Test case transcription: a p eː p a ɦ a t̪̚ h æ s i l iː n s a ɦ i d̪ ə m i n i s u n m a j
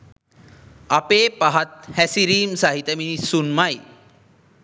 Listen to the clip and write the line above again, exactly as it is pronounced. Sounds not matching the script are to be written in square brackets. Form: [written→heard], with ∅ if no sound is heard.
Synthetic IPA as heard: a p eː p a ɦ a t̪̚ h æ s i [l→ɾ] iː [n→m] s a ɦ i [d̪→t̪] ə m i n i s u n m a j